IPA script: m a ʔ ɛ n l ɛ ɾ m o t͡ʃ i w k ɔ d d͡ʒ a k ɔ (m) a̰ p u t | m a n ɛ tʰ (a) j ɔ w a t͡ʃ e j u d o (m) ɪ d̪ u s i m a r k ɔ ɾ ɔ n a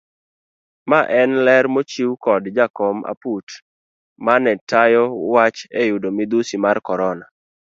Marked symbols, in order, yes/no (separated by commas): yes, yes, yes